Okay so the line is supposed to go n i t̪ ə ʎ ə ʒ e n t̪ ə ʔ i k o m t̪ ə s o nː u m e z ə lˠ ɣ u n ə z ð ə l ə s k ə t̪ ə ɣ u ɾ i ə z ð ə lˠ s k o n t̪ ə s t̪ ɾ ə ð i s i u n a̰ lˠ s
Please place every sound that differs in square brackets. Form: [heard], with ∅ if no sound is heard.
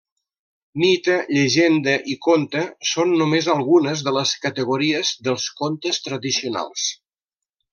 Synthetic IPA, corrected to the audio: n i t̪ ə ʎ ə ʒ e n [d̪] ə ʔ i k o [n] t̪ ə s o nː u m e z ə lˠ ɣ u n ə z ð ə l ə s k ə t̪ ə ɣ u ɾ i ə z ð ə lˠ s k o n t̪ ə s t̪ ɾ ə ð i s i u n a̰ lˠ s